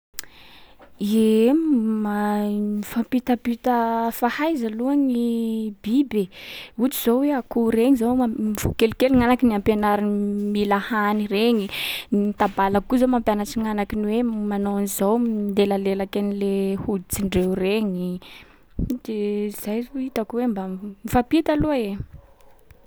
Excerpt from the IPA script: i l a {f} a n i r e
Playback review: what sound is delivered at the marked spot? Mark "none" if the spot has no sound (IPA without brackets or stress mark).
h